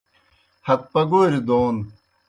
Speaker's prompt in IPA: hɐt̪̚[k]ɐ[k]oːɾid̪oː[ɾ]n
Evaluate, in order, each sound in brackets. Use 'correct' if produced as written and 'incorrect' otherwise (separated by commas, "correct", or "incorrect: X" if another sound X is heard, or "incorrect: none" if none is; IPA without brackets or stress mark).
incorrect: p, incorrect: ɡ, incorrect: none